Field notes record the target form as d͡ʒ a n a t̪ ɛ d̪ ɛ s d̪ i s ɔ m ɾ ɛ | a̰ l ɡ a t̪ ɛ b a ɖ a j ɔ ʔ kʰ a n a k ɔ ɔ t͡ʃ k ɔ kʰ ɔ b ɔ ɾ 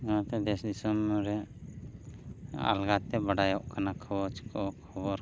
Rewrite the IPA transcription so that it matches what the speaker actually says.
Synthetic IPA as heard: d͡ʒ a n a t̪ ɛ d̪ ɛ s d̪ i s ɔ m ɾ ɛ | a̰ l ɡ a t̪ ɛ b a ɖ a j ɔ ʔ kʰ a n a kʰ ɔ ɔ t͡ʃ k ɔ kʰ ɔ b ɔ ɾ